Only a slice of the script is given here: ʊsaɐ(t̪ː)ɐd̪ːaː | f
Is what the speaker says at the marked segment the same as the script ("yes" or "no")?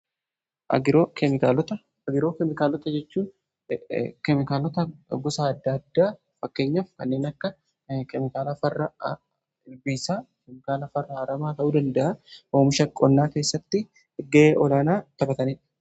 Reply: no